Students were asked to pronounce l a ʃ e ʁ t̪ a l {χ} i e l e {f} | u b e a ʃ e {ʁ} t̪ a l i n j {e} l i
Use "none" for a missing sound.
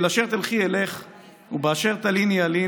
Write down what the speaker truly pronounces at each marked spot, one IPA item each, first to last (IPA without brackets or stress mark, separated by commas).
χ, χ, ʁ, a